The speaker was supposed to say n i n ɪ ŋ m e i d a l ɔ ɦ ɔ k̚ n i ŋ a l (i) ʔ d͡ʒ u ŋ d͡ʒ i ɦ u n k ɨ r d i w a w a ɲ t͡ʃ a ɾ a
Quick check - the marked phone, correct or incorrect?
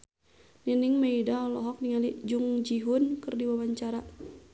correct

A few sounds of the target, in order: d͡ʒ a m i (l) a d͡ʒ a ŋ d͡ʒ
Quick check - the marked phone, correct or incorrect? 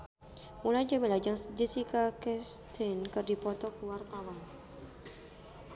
correct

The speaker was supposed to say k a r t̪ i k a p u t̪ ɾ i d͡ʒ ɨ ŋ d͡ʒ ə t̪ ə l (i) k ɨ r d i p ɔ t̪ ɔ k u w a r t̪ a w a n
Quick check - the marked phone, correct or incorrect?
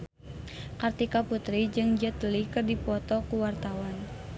correct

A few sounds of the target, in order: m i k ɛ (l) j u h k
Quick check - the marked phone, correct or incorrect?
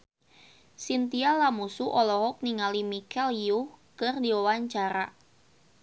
correct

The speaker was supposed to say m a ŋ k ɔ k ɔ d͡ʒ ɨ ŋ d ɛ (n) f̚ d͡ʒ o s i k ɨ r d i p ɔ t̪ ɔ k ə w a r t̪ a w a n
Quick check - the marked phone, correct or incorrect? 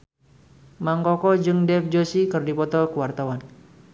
incorrect: none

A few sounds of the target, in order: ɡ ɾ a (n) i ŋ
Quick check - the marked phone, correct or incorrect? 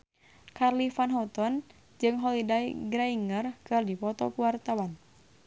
incorrect: none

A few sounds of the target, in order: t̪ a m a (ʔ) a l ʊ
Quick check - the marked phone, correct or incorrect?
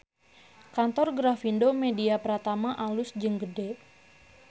correct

